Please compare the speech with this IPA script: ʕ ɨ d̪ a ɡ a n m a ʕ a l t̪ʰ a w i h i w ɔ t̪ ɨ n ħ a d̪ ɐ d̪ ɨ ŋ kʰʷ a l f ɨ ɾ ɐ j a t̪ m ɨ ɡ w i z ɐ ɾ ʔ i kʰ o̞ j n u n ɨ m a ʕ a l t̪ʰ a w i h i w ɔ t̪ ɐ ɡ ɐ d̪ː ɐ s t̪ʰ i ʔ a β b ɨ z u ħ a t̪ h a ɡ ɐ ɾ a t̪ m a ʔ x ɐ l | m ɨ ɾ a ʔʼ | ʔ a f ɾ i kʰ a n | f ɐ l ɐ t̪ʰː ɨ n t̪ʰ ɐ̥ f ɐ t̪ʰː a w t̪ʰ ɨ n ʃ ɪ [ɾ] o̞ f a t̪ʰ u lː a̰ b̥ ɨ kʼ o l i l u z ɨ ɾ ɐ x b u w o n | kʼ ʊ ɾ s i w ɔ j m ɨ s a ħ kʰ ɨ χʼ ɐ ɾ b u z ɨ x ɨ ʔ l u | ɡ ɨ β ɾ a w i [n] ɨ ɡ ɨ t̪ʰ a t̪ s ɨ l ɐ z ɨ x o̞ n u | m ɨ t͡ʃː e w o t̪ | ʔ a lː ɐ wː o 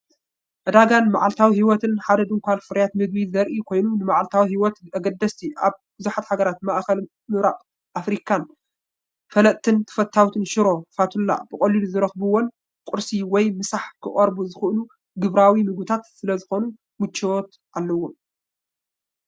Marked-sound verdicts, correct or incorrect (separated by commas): correct, incorrect